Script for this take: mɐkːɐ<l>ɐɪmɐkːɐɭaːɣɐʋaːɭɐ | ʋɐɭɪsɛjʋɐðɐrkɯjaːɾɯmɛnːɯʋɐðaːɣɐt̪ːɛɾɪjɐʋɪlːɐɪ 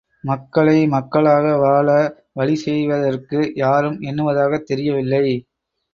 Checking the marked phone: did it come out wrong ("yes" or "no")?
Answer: yes